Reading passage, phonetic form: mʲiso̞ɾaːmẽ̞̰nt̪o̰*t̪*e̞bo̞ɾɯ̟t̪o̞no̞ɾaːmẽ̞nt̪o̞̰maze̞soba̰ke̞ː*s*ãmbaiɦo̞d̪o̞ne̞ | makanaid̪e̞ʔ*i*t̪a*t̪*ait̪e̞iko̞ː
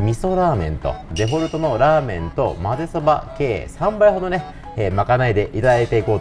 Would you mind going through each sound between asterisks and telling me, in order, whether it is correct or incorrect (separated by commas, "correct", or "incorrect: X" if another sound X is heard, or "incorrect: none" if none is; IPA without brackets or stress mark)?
incorrect: d̪, correct, correct, incorrect: d̪